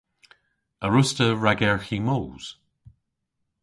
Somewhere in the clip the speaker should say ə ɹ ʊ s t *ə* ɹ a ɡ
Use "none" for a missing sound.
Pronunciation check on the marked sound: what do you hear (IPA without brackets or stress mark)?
ə